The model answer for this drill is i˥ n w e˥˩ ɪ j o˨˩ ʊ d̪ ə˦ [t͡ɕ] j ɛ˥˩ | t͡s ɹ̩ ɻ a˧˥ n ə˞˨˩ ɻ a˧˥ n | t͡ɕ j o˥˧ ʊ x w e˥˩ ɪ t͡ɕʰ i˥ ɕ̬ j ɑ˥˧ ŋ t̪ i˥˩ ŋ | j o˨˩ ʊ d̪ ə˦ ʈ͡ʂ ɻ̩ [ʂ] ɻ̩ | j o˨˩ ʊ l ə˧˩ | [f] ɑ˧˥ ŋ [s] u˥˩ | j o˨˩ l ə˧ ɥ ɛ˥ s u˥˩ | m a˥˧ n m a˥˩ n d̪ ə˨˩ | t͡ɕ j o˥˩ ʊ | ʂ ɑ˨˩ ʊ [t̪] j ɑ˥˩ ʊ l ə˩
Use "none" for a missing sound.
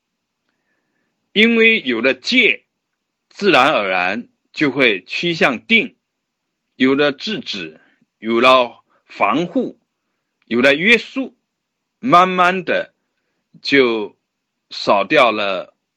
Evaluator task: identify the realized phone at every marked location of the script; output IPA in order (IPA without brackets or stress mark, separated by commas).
t͡ɕ, ʈ͡ʂ, f, x, t̪